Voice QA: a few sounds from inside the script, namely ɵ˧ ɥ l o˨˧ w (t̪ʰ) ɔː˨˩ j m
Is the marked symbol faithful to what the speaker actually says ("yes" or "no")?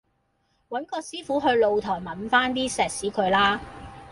yes